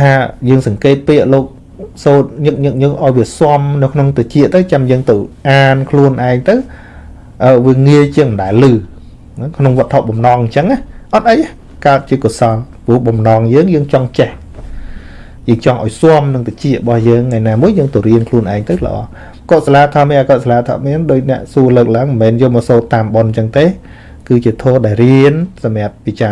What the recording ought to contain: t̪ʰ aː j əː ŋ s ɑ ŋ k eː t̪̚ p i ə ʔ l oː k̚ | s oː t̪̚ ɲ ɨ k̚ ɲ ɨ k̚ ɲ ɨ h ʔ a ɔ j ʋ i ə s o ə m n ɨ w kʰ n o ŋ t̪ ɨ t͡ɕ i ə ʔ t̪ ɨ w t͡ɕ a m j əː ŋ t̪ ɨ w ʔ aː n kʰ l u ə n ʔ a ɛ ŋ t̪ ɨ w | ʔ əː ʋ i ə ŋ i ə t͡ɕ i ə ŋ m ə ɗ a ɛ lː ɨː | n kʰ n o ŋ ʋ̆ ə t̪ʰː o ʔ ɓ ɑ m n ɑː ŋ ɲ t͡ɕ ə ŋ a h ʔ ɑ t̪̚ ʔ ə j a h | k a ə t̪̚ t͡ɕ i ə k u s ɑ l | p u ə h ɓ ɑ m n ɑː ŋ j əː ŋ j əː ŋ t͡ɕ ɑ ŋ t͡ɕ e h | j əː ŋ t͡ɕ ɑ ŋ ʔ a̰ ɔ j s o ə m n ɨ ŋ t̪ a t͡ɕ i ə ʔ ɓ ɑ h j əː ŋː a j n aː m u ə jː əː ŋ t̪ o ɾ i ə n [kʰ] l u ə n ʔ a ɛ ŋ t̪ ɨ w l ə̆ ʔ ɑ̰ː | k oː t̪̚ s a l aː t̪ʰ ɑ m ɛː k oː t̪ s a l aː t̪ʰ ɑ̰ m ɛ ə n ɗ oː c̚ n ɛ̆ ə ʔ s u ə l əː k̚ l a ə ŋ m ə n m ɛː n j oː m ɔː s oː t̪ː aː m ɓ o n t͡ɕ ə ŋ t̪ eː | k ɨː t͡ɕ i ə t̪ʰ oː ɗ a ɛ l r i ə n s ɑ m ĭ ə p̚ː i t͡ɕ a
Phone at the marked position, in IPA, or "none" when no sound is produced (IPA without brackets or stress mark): kʰ